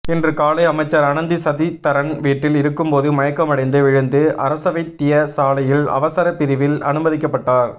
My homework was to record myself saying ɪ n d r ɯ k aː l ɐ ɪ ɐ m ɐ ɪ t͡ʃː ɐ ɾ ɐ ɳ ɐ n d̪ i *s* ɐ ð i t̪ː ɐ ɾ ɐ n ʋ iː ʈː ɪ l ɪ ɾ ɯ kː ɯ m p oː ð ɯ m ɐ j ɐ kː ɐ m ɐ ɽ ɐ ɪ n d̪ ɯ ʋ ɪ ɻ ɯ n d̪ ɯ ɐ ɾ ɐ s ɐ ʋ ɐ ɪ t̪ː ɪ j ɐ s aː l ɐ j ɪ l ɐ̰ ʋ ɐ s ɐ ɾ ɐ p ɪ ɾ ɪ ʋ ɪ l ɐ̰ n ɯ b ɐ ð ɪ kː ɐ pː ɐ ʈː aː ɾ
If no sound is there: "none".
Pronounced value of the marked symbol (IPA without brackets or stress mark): s